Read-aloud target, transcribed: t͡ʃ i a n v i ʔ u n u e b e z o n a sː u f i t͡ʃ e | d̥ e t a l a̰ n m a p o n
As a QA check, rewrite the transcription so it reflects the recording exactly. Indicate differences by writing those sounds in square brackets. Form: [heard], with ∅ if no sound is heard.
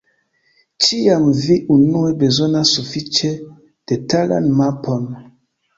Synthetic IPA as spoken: t͡ʃ i a [m] v i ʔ u n u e b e z o n a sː u f i t͡ʃ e | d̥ e t a l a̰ n m a p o n